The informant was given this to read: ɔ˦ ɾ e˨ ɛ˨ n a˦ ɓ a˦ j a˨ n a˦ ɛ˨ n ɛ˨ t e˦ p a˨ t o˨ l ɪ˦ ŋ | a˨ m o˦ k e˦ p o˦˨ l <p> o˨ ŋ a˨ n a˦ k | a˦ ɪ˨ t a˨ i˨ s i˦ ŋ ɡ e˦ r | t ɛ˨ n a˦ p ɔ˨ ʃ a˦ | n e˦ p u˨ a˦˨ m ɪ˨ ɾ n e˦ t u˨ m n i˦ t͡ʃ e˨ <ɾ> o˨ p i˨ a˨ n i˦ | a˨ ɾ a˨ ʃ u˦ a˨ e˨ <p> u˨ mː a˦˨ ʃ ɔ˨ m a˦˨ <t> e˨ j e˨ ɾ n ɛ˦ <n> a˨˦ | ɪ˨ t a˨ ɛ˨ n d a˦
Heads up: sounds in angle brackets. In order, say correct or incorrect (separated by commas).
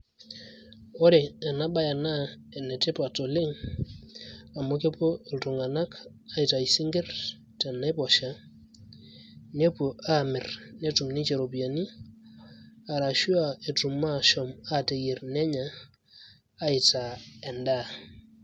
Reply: incorrect, correct, incorrect, correct, incorrect